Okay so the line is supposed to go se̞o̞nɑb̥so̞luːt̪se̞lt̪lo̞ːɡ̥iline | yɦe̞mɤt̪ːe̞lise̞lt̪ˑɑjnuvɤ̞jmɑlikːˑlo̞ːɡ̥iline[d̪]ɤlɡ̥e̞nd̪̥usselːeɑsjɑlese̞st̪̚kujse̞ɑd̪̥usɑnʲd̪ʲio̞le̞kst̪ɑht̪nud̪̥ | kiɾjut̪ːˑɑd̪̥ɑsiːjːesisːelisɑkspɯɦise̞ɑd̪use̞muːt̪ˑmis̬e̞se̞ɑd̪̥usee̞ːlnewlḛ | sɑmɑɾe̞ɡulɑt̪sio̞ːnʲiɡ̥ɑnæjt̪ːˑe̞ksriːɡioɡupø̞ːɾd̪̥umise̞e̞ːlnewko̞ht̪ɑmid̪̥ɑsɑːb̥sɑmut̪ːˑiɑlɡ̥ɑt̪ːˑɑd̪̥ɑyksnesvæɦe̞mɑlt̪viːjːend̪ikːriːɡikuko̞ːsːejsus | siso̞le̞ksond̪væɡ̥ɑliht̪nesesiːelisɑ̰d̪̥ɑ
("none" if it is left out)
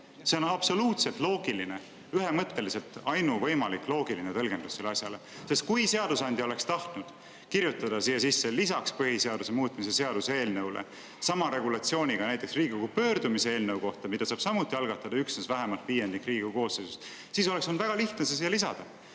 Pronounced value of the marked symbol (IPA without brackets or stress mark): t̪